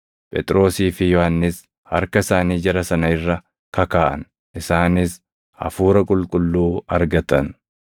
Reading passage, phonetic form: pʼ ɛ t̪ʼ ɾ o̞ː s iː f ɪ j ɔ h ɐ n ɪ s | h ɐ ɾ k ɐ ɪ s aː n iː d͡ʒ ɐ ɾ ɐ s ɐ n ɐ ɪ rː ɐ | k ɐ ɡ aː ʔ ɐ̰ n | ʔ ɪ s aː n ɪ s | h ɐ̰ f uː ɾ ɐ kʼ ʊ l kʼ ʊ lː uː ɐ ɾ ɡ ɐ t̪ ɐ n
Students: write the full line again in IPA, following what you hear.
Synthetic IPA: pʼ ɛ t̪ʼ ɾ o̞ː s iː f ɪ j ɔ h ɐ nː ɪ s | h ɐ ɾ k ɐ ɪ s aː n iː d͡ʒ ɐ ɾ ɐ s ɐ n ɐ ɪ rː ɐ | k ɐ k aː ʔ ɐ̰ n | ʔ ɪ s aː n ɪ s | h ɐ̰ f uː ɾ ɐ kʼ ʊ l kʼ ʊ lː uː ɐ ɾ ɡ ɐ t̪ ɐ n

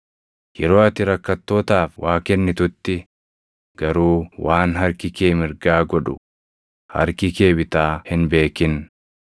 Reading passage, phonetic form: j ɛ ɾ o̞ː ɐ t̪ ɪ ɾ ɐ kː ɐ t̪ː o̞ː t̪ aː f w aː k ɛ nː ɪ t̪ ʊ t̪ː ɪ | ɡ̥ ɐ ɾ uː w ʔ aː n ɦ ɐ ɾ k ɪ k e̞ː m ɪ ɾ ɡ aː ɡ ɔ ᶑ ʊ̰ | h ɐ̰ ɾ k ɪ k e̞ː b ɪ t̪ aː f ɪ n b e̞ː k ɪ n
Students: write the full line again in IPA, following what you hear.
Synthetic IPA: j ɛ ɾ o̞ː ɐ t̪ ɪ ɾ ɐ kː ɐ t̪ː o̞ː t̪ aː f w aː k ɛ nː ɪ t̪ ʊ t̪ː ɪ | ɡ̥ ɐ ɾ uː w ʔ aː n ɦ ɐ ɾ k ɪ k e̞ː m ɪ ɾ ɡ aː ɡ ɔ ᶑ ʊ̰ | h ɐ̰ ɾ k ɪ k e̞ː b ɪ t̪ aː h ɪ n b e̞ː k ɪ n

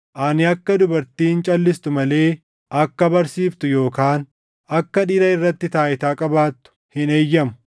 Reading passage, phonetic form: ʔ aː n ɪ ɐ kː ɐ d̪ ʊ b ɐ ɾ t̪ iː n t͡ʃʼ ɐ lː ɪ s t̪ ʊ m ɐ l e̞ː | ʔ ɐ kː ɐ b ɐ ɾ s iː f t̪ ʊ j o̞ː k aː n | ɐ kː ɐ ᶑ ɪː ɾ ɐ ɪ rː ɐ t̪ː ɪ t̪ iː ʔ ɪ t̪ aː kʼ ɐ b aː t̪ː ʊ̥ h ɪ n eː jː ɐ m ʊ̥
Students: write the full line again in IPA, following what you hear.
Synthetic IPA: ʔ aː n ɪ ɐ kː ɐ d̪ ʊ b ɐ ɾ t̪ iː n t͡ʃʼ ɐ lː ɪ s t̪ ʊ m ɐ l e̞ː | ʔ ɐ kː ɐ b ɐ ɾ s iː f t̪ ʊ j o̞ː k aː n | ɐ kː ɐ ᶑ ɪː ɾ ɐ ɪ rː ɐ t̪ː ɪ t̪ aː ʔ ɪ t̪ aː kʼ ɐ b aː t̪ː ʊ̥ h ɪ n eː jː ɐ m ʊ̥

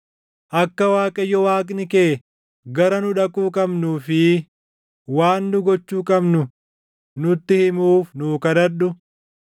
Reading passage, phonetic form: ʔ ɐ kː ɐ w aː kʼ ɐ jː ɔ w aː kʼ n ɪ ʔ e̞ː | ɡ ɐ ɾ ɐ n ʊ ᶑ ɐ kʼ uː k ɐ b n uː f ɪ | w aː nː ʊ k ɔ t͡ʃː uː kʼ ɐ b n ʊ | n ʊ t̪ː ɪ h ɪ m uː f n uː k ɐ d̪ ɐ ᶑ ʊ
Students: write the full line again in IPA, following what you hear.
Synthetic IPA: ʔ ɐ kː ɐ w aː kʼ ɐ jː ɔ w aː kʼ n ɪ k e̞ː | ɡ ɐ ɾ ɐ n ʊ ᶑ ɐ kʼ uː kʼ ɐ b n uː f ɪ | w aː nː ʊ ɡ ɔ t͡ʃː uː kʼ ɐ b n ʊ | n ʊ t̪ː ɪ h ɪ m uː f n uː k ɐ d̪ ɐ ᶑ ʊ

